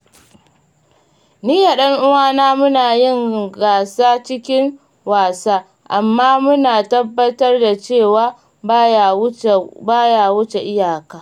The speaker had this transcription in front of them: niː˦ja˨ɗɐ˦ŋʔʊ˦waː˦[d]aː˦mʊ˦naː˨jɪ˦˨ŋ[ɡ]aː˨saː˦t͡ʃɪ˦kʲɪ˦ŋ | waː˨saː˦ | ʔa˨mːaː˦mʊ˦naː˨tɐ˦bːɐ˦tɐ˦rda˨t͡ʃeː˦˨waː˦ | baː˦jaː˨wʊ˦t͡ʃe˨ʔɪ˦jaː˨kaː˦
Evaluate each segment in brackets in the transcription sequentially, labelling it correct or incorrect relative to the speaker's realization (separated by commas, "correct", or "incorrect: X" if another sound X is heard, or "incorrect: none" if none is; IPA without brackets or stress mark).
incorrect: n, correct